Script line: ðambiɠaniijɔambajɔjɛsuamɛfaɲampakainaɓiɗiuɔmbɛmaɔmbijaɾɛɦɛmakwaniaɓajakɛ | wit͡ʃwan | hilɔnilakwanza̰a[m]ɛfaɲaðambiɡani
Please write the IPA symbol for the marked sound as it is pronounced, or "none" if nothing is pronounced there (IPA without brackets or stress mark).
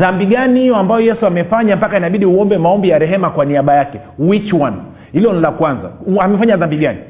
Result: m